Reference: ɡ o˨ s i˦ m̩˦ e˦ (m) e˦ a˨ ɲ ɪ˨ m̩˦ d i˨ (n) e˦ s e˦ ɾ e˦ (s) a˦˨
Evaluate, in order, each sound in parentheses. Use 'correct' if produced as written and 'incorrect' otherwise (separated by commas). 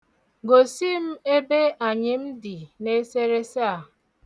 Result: incorrect, correct, correct